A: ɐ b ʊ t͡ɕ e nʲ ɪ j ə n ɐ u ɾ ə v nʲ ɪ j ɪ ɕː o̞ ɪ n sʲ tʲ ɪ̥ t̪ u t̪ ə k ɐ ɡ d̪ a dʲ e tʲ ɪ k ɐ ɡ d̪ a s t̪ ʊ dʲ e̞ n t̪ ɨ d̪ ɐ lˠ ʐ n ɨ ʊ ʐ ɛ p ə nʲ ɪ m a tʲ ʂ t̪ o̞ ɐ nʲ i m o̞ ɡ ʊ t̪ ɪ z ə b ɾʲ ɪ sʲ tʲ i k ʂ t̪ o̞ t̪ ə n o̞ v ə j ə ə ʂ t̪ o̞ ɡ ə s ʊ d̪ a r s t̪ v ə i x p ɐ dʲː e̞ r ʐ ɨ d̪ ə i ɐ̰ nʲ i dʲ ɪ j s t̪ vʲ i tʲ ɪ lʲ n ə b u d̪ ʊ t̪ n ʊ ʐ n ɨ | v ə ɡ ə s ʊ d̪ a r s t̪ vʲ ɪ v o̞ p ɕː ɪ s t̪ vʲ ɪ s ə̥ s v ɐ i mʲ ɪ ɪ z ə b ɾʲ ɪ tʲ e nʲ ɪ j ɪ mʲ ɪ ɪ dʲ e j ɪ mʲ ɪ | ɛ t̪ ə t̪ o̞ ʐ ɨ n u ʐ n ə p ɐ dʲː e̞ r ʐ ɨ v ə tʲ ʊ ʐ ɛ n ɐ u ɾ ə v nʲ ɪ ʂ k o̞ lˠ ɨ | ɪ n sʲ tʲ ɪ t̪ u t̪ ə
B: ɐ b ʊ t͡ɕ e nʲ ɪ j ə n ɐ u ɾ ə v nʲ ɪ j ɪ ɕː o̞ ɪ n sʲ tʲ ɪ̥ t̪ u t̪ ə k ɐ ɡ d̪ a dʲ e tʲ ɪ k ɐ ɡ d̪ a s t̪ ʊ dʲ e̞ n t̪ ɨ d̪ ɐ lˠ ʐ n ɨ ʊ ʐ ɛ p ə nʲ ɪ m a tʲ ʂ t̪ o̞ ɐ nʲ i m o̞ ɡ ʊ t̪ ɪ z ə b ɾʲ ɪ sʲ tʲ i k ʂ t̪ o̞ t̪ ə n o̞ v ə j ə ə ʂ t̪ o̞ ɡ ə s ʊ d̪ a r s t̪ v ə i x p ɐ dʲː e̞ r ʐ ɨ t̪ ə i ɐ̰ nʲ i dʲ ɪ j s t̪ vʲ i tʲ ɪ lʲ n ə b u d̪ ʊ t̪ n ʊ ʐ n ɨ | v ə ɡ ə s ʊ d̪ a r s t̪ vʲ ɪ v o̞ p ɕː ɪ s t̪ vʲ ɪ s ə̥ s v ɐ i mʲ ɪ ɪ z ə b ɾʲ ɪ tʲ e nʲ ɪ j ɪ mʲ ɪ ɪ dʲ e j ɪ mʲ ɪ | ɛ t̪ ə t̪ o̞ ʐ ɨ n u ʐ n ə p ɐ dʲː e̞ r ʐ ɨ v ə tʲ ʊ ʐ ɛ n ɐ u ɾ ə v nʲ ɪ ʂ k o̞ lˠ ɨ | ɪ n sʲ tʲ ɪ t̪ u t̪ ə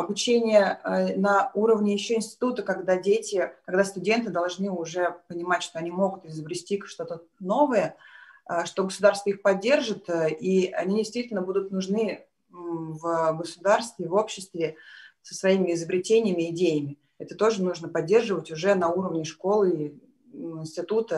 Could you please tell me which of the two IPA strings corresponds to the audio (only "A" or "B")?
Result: B